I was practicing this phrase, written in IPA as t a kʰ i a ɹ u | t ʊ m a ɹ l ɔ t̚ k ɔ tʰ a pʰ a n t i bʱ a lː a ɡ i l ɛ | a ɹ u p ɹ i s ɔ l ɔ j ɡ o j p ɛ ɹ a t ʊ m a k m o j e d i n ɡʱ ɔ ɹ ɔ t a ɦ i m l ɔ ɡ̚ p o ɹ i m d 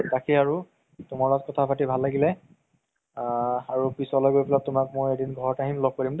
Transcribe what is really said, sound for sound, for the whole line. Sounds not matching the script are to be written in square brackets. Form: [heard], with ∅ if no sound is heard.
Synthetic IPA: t a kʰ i a ɹ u | t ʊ m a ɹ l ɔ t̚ k ɔ tʰ a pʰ a [∅] t i bʱ a lː a ɡ i l ɛ | a ɹ u p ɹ i s ɔ l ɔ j ɡ o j p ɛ [l] a t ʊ m a k m o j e d i n ɡʱ ɔ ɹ ɔ t a ɦ i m l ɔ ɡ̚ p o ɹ i m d